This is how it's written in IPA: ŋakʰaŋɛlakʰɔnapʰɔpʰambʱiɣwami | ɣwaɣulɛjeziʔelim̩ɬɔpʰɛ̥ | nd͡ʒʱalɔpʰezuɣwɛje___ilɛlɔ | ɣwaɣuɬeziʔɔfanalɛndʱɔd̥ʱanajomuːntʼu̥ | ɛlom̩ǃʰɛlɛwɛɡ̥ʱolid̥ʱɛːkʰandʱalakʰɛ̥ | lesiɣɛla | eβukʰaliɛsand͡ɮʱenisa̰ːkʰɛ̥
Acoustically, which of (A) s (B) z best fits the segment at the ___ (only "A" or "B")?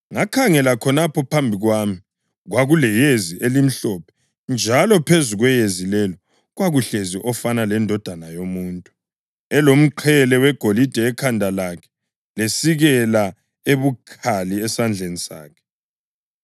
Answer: B